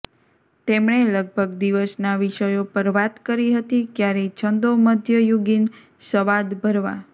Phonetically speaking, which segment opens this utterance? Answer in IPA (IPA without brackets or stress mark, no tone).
t̪